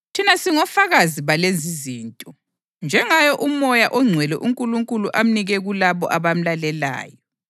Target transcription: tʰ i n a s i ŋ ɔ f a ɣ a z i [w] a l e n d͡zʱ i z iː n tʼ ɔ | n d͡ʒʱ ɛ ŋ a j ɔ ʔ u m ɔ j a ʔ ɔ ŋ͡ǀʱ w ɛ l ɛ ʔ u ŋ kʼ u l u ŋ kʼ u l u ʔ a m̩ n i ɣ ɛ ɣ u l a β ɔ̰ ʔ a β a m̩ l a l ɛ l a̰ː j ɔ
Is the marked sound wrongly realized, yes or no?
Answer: yes